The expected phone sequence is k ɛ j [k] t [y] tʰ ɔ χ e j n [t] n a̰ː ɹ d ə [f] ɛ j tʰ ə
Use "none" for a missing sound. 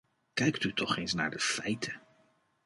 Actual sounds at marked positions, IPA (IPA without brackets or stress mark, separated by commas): k, y, s, f